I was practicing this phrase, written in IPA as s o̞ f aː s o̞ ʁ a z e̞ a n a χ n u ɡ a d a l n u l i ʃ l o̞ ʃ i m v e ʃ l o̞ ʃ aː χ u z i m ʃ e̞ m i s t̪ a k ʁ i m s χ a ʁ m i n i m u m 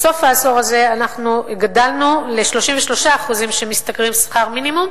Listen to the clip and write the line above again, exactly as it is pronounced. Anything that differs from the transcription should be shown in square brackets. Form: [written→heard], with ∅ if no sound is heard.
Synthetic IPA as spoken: s o̞ f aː s o̞ ʁ a z e̞ a n a χ n u ɡ a d a l n u l [i→e] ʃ l o̞ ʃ i m v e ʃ l o̞ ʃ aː χ u z i m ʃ e̞ m i s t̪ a k ʁ i m s χ a ʁ m i n i m u m